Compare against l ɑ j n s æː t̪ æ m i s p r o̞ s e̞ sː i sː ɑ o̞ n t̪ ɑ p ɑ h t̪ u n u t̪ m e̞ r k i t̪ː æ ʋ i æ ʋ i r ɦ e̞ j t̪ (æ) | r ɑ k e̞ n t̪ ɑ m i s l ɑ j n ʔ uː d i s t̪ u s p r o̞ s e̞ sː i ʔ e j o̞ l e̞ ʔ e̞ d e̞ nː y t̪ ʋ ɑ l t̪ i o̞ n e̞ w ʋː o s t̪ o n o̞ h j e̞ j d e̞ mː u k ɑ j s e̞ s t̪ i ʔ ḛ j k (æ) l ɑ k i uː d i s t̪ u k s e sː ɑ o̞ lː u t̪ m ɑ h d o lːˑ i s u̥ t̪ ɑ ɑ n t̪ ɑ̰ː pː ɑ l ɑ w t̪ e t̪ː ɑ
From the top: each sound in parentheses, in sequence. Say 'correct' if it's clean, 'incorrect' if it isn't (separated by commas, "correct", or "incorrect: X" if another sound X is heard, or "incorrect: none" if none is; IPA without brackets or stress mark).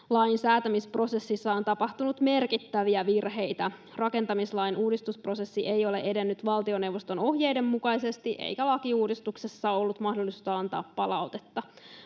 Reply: correct, correct